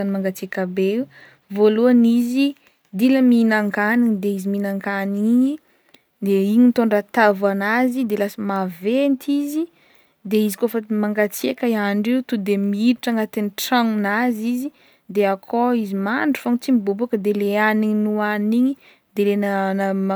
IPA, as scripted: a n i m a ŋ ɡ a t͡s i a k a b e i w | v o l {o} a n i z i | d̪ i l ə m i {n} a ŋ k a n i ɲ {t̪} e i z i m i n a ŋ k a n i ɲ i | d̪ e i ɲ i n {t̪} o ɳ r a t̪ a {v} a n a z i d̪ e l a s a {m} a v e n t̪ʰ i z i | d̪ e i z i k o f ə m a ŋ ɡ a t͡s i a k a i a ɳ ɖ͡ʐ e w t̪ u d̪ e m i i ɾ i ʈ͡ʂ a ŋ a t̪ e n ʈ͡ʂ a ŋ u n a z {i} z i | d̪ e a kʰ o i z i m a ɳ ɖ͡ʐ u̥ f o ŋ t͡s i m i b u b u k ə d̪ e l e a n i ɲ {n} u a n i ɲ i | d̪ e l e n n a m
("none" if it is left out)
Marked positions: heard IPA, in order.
u, n, d̪, t̪, v, m, i, n

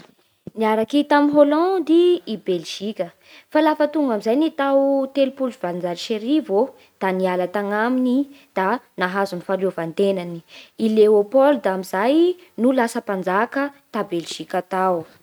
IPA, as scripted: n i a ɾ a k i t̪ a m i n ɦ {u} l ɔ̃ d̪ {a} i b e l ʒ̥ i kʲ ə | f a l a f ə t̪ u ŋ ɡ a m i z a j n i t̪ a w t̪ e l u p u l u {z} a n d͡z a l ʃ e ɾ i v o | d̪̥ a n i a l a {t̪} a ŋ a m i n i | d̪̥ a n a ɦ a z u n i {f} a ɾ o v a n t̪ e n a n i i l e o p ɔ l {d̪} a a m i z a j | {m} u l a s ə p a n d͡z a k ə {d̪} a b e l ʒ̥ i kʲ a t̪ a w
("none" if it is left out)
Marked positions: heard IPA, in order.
o, i, v, t̪, f, d̪, n, t̪

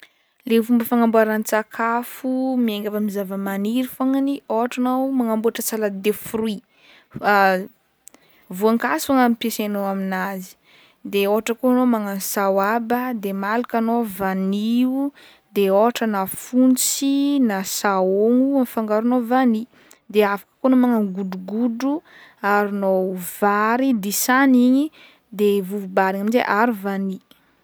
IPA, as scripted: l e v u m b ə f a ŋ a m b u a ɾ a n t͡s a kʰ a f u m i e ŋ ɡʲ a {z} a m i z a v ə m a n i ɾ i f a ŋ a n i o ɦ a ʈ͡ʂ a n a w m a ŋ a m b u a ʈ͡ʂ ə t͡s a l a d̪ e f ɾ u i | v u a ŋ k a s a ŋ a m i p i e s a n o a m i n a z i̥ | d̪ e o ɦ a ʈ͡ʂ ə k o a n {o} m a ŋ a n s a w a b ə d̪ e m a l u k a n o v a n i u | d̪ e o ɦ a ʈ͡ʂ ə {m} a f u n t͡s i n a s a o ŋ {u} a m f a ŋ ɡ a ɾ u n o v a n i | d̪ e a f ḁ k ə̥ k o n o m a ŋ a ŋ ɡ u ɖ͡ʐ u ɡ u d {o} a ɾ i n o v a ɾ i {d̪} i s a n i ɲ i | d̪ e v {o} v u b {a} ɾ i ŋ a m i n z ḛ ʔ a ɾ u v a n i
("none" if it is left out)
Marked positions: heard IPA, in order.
v, o, n, u, u, d̪, u, a

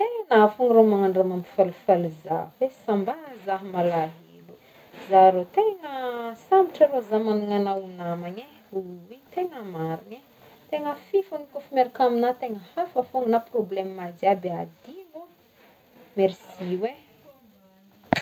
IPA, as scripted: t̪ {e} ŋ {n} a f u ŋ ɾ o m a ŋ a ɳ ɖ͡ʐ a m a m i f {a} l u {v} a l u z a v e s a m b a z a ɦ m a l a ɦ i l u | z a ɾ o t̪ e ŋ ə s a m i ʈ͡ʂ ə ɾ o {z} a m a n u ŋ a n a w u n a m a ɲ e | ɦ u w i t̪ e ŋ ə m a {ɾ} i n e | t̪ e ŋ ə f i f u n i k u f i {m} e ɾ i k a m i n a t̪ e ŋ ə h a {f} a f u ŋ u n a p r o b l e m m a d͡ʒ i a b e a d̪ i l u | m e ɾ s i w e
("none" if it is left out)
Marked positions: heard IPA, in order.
e, n, a, f, z, ɾ, m, f

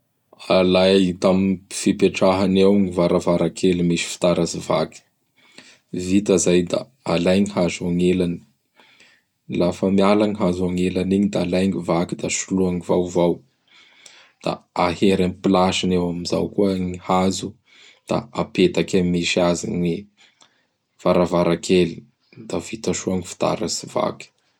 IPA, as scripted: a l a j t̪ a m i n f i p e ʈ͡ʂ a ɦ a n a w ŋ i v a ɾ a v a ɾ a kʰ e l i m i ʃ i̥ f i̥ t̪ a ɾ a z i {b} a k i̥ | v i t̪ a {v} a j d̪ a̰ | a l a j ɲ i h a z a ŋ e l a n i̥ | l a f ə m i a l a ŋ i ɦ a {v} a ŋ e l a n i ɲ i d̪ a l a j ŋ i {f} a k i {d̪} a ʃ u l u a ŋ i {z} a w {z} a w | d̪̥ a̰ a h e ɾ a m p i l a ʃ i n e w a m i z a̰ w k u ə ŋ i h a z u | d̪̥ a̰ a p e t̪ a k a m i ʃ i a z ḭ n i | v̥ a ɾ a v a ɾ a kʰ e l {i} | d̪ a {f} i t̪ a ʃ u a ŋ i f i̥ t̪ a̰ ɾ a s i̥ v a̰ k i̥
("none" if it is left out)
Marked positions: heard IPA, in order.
v, z, z, v, d̪, v, v, i, v

